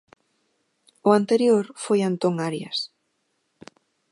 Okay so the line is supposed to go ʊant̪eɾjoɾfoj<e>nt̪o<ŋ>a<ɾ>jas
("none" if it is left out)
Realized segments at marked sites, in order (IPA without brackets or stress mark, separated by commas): a, ŋ, ɾ